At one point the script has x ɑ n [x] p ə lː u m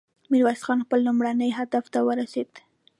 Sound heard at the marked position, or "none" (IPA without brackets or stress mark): x